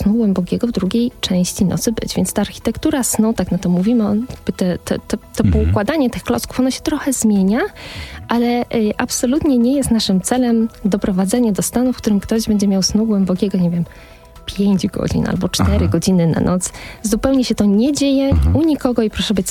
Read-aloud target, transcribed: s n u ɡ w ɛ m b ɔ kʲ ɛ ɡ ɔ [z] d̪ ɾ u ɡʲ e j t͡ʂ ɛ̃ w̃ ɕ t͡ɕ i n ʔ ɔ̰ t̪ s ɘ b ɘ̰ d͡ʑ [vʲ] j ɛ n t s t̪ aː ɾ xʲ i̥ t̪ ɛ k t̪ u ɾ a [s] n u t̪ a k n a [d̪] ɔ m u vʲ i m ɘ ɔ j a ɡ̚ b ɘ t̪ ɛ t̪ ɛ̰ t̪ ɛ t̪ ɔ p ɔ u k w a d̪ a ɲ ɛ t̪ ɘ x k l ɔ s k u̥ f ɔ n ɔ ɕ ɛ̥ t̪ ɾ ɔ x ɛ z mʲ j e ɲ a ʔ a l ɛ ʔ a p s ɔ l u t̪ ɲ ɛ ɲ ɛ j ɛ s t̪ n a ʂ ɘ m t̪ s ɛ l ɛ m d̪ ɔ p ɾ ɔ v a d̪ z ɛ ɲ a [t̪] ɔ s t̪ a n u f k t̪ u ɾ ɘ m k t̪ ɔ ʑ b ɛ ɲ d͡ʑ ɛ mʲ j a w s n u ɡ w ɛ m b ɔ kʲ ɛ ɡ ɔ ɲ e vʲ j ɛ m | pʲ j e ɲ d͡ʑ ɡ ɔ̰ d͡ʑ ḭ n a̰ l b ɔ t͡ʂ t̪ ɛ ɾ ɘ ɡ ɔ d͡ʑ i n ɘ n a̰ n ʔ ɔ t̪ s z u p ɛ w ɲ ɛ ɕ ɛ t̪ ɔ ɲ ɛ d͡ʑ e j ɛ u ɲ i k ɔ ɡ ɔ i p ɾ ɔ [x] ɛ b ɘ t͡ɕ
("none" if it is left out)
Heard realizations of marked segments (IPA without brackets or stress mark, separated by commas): v, vʲ, s, t̪, d̪, ʂ